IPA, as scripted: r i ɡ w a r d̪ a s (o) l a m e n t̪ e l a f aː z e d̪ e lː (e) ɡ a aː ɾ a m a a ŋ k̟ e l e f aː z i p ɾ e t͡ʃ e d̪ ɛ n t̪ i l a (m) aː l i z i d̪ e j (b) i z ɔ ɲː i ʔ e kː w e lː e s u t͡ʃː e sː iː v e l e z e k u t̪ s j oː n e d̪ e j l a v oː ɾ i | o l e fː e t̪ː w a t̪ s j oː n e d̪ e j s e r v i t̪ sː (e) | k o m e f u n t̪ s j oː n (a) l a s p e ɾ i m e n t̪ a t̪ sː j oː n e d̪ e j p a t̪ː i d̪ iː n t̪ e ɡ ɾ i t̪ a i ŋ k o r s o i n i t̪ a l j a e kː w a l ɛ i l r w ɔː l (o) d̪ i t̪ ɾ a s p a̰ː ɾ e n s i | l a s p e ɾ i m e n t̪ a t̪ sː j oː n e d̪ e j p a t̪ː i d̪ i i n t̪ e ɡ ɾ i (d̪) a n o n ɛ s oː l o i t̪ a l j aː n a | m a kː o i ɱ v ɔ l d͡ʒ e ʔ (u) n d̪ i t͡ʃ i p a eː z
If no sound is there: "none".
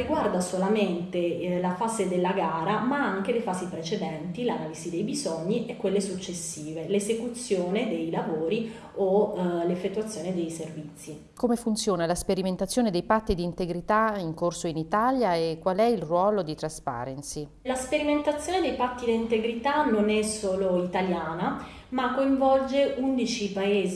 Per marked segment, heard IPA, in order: o, a, n, b, i, a, o, t̪, u

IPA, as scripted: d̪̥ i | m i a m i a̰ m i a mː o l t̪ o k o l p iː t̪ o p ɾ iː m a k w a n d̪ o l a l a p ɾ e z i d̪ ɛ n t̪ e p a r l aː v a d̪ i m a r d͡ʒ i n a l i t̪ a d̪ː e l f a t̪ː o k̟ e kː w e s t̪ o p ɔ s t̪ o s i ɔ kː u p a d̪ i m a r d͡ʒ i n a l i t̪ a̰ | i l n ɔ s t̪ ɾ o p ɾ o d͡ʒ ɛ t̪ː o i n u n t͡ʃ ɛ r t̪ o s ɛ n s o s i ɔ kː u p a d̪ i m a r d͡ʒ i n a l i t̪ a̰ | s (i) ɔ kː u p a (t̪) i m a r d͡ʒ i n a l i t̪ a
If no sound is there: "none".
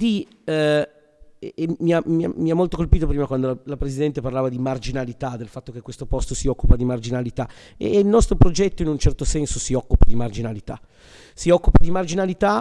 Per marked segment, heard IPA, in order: i, d̪

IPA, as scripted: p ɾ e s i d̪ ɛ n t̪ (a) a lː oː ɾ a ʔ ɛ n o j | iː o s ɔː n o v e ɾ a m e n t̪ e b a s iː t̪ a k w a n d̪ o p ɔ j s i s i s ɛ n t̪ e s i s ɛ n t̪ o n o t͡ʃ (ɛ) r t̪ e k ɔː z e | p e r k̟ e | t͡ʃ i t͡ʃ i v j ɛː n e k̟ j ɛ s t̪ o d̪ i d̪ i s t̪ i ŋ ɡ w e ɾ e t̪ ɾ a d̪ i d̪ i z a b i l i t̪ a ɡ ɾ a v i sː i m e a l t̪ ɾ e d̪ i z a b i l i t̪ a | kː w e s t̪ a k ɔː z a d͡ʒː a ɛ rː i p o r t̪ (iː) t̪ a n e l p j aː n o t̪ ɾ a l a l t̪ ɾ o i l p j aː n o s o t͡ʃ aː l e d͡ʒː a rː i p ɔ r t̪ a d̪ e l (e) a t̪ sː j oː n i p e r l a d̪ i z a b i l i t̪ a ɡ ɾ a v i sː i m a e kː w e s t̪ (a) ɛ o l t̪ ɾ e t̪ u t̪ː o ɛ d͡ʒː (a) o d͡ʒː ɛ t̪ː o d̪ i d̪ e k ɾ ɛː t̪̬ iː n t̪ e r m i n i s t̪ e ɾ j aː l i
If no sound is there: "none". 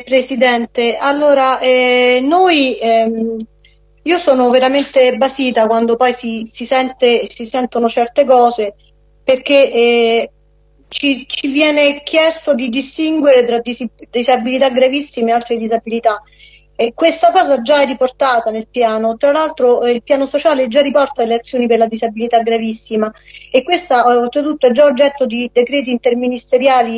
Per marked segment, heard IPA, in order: e, ɛ, aː, e, a, a

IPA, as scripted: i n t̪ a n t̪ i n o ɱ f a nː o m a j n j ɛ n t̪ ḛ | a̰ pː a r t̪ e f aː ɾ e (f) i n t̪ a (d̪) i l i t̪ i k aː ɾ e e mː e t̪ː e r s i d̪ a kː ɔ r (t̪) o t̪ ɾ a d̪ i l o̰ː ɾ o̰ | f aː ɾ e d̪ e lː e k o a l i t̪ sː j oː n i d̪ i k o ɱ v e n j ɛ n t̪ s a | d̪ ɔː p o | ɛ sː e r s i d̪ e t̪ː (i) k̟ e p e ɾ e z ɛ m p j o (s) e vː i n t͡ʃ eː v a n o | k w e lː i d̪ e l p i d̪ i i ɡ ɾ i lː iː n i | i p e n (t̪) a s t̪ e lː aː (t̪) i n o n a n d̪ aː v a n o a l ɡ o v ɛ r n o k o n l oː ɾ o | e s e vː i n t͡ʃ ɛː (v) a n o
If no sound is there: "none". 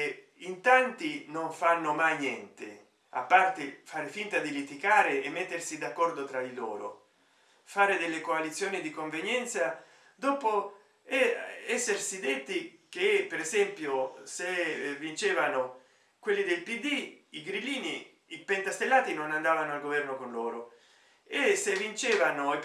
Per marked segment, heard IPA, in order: f, d̪, d̪, i, s, t̪, t̪, v

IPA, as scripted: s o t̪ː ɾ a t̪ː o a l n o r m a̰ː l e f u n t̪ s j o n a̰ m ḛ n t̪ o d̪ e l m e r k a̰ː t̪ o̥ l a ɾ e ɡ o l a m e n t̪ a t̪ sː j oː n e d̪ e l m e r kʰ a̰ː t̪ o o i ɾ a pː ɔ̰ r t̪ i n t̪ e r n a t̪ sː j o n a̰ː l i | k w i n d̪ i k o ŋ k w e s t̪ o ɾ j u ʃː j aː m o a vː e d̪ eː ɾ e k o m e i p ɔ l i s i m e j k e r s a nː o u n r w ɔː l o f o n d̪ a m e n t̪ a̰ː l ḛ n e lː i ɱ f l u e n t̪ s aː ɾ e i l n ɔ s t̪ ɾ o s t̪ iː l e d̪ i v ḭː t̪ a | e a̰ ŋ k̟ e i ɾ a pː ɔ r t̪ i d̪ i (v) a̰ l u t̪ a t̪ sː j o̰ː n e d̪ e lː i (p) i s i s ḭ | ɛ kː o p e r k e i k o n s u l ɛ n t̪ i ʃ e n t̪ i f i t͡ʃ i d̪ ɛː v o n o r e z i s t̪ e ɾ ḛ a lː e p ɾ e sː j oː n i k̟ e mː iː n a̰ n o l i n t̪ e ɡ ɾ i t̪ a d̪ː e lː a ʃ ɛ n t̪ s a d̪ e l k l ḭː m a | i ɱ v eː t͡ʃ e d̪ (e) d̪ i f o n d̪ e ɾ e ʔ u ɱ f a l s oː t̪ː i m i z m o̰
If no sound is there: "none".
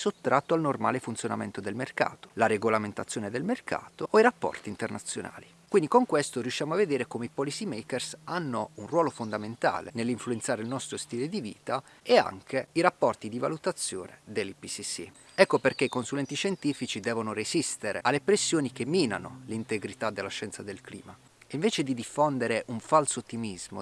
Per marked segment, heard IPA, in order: v, p, i

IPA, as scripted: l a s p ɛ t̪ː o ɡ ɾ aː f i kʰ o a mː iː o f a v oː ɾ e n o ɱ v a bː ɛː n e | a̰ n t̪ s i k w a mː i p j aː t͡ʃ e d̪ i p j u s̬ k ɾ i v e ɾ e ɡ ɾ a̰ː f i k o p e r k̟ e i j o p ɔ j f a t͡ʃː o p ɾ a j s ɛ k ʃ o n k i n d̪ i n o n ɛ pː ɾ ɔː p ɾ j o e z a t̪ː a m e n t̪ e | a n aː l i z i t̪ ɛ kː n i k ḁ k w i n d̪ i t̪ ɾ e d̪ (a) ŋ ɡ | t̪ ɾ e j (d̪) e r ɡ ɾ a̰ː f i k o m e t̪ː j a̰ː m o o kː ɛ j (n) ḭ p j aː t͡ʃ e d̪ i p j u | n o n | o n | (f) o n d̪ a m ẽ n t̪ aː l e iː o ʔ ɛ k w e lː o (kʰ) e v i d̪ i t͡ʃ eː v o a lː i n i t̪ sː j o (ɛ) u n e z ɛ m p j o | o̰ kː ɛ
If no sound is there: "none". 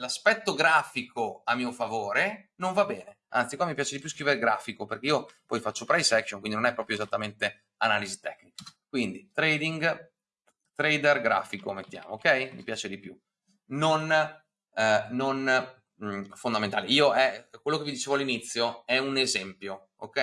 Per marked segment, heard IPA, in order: i, d̪, m, f, k, ɛ

